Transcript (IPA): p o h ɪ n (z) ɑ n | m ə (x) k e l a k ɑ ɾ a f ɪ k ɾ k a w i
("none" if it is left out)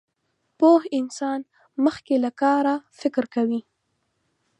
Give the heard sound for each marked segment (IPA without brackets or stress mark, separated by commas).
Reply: s, x